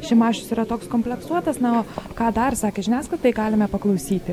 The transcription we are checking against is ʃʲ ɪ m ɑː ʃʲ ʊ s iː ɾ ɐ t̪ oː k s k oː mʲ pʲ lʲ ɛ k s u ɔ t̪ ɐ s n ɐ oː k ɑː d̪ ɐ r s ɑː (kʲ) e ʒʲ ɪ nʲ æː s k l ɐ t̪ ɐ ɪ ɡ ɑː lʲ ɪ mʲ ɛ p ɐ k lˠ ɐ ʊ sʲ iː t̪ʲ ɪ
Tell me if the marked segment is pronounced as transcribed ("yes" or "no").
yes